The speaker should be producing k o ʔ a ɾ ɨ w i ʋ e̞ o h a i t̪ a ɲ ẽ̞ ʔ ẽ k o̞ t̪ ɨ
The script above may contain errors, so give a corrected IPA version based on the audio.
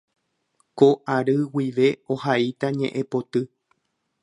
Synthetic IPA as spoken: k o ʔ a ɾ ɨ w i ʋ e̞ o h a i t̪ a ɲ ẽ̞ ʔ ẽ p o̞ t̪ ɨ

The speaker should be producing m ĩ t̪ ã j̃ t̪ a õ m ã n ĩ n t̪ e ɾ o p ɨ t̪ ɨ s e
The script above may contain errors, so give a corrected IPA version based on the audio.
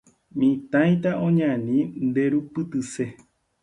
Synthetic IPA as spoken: m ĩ t̪ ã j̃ t̪ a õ ɲ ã n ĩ n d̪ e ɾ u p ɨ t̪ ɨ s e

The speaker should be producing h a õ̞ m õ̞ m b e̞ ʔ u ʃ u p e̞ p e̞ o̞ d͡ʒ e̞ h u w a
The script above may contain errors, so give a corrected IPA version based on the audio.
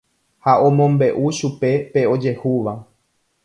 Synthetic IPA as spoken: h a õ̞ m õ̞ m b e̞ ʔ u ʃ u p e̞ p e̞ o̞ d͡ʒ e̞ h u ʋ a

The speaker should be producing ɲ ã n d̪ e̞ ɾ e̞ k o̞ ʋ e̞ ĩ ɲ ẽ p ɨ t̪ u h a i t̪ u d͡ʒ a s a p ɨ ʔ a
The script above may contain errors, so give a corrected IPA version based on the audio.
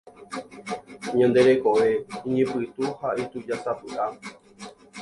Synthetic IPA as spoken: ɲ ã n d̪ e̞ ɾ e̞ k o̞ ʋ e̞ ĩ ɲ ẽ p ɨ t̪ u h a i t̪ u d͡ʒ a s a p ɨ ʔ a

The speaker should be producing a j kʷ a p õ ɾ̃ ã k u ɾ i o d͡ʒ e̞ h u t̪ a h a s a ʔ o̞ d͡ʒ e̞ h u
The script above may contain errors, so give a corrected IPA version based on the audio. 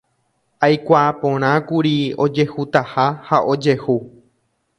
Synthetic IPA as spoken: a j kʷ a p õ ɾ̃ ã k u ɾ i o d͡ʒ e̞ h u t̪ a h a h a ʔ o̞ d͡ʒ e̞ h u

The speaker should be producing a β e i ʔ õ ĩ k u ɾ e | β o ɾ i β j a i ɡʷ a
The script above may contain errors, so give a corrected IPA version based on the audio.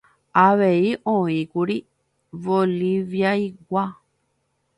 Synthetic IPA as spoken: a β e i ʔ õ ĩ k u ɾ i | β o l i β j a i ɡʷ a

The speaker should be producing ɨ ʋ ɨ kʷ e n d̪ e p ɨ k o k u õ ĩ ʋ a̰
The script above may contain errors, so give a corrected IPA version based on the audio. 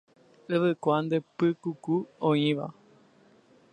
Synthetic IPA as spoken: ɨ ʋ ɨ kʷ a n d̪ e p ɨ k u k u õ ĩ ʋ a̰

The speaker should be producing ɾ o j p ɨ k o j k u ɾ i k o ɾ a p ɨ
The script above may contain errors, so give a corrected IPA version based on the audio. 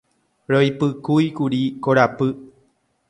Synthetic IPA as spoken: ɾ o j p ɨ k u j k u ɾ i k o ɾ a p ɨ

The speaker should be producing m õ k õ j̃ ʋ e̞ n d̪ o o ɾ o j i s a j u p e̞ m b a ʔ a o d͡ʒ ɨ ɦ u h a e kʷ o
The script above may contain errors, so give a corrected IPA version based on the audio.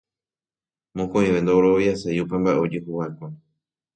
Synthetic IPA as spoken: m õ k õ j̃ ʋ e̞ n d̪ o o ɾ o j a s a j u p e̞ m b a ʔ e o d͡ʒ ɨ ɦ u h a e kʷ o

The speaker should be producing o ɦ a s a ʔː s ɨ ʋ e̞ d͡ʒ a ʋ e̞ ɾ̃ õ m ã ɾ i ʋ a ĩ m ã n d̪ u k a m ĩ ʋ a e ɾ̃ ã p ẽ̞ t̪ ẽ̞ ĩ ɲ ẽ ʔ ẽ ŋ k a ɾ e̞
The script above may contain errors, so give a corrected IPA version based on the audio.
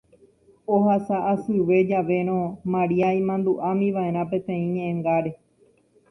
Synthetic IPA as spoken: o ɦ a s a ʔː s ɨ ʋ e̞ d͡ʒ a ʋ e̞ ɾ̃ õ m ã ɾ i a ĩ m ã n d̪ u ʔ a m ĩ ʋ a e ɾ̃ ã p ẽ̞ t̪ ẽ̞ ĩ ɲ ẽ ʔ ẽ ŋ ɡ a ɾ e̞

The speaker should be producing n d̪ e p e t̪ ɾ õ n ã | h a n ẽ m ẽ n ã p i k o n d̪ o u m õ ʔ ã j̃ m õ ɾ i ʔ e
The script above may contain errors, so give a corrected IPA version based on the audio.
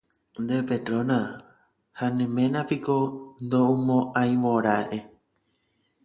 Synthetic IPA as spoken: n d̪ e p e t̪ ɾ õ n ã | h a n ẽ m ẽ n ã p i k o n d̪ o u m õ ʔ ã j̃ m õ ɾ a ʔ e

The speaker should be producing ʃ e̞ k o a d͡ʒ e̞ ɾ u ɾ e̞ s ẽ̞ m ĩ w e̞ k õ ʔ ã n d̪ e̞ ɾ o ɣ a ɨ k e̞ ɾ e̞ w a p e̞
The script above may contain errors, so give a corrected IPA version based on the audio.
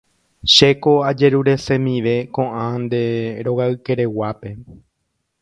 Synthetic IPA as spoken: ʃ e̞ k o a d͡ʒ e̞ ɾ u ɾ e̞ s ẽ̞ m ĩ ʋ e̞ k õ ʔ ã n d̪ e̞ ɾ o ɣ a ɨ k e̞ ɾ e̞ w a p e̞

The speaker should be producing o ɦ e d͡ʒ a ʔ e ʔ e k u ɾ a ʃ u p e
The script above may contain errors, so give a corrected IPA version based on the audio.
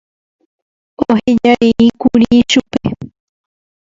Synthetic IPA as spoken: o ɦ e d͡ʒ a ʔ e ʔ i k u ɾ i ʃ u p e

